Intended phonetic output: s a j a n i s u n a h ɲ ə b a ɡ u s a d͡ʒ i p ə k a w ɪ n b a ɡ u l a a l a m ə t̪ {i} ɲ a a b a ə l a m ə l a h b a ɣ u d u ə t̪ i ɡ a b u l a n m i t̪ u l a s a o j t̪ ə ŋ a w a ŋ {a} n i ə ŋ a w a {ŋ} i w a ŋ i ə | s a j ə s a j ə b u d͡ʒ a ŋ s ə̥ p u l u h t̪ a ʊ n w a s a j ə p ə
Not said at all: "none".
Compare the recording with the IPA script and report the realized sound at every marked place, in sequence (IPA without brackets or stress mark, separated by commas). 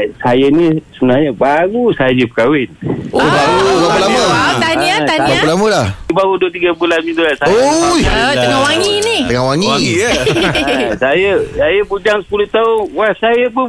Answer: a, i, ŋ